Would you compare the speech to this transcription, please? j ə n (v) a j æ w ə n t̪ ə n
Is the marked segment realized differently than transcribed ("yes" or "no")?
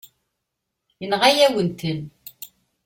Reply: yes